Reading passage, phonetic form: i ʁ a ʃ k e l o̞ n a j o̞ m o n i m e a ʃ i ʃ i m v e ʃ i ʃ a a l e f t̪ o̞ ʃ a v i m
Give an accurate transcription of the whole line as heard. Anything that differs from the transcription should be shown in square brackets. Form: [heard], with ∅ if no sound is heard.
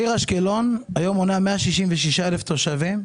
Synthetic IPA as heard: i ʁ a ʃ k e l o̞ n a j o̞ m o n [a] m e a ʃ i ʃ i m v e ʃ i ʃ a [e] l e f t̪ o̞ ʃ a v i m